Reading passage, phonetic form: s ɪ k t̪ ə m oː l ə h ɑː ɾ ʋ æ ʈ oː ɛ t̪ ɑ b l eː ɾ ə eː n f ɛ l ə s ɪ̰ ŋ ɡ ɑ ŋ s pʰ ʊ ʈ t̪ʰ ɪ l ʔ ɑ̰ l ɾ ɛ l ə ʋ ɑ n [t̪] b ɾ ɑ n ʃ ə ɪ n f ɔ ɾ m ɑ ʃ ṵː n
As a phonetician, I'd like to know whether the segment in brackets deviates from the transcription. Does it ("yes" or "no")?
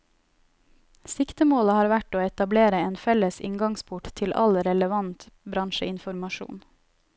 no